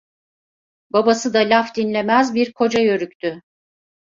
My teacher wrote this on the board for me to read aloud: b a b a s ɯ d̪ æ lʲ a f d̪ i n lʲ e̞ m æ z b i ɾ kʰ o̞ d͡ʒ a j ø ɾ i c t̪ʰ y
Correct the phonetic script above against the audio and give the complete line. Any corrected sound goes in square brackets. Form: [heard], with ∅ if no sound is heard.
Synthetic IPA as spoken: b a b a s ɯ d̪ [a] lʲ a f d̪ i n lʲ e̞ m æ z b i ɾ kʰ o̞ d͡ʒ a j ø ɾ [y] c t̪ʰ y